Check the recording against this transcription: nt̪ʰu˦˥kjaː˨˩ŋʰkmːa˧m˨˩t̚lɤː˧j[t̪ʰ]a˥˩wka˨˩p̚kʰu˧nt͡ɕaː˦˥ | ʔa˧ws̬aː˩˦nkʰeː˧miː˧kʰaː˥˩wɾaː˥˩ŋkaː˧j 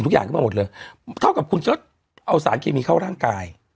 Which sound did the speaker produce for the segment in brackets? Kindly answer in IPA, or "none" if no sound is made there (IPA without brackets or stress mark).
t̪ʰ